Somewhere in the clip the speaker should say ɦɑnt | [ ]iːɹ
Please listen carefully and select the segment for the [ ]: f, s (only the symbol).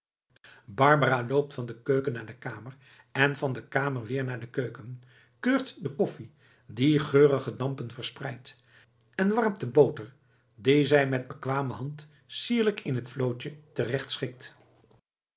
s